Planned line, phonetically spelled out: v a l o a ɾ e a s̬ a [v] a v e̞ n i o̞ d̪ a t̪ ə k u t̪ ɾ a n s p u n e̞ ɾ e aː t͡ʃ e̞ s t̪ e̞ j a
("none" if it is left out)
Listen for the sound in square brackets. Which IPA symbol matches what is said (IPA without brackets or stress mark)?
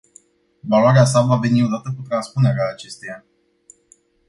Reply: v